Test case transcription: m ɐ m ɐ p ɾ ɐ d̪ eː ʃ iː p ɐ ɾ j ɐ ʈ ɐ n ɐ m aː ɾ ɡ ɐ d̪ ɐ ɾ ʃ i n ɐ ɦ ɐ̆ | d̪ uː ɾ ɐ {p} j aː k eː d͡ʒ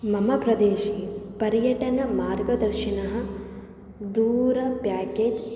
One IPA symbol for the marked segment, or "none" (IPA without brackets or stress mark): p